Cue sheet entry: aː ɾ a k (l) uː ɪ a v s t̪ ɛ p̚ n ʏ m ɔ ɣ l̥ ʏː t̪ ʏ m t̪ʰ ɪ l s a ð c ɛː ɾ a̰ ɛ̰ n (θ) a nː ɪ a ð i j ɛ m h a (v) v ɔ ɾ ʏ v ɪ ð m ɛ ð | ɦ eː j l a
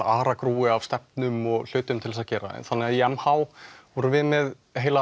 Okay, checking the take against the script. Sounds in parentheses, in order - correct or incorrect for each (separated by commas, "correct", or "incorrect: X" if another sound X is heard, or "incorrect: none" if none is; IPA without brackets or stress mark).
incorrect: ɾ, correct, incorrect: w